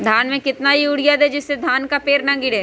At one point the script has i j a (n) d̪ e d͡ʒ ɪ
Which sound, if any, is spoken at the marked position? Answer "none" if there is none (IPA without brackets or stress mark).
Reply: none